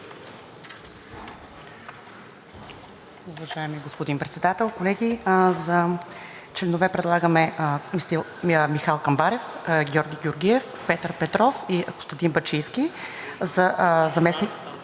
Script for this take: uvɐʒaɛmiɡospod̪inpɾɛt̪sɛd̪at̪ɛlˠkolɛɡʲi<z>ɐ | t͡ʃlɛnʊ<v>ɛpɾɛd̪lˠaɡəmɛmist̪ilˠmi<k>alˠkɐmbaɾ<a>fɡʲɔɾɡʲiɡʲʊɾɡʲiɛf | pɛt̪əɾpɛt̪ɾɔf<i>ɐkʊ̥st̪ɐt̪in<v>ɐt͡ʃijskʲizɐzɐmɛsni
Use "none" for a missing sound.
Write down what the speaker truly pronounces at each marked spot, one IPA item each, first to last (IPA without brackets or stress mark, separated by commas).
z, v, x, ɛ, i, b